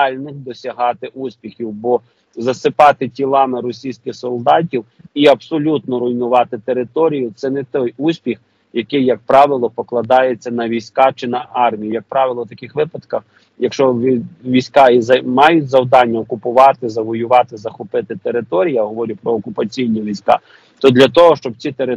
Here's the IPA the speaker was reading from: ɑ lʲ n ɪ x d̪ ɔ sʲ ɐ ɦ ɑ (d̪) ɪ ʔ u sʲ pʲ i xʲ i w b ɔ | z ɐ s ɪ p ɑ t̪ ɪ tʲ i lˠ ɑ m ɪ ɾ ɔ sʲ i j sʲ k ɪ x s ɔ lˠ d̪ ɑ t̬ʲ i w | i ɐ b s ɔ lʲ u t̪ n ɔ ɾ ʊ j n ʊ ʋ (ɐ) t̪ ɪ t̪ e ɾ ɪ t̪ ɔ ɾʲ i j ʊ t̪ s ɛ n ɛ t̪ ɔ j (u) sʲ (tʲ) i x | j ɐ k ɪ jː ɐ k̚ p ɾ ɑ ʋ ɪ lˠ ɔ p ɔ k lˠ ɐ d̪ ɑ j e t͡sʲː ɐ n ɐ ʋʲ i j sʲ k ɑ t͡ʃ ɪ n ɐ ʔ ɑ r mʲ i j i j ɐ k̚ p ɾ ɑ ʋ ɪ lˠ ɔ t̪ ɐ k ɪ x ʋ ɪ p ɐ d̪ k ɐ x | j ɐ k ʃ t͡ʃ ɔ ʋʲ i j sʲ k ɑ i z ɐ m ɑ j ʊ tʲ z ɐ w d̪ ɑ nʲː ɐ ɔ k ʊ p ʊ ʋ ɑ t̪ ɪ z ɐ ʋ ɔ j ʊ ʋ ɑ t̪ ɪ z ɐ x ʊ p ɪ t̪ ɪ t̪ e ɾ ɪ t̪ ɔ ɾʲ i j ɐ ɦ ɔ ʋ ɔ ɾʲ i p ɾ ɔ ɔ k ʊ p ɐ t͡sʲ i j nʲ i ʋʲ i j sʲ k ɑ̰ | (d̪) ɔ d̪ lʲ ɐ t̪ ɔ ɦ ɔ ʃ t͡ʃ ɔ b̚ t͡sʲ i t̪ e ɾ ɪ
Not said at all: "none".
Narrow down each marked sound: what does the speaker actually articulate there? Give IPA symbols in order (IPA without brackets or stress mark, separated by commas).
t̪, ɑ, u, pʲ, t̪